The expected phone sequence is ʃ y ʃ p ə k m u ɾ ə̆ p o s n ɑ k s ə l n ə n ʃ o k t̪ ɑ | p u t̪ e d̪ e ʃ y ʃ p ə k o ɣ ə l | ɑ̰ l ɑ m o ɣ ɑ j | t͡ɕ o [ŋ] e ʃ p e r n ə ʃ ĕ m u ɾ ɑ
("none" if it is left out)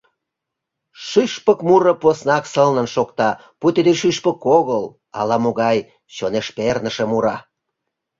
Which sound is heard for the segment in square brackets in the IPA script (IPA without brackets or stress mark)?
n